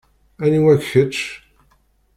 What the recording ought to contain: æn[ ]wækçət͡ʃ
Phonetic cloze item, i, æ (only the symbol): i